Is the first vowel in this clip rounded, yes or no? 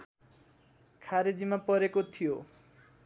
no